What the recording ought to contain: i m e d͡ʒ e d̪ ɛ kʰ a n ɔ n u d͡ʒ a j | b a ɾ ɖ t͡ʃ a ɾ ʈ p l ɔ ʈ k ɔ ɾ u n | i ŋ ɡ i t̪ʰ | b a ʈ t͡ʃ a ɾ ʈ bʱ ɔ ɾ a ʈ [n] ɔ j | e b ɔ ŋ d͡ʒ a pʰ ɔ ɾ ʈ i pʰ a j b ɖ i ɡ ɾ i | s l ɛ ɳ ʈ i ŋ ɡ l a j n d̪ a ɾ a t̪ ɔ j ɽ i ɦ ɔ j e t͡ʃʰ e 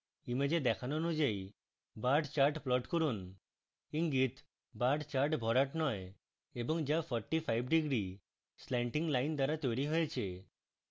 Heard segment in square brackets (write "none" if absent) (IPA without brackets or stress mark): n